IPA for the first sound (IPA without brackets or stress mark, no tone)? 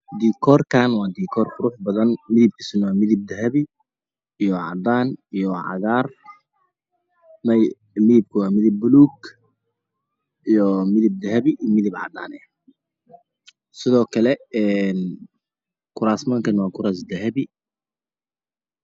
d̪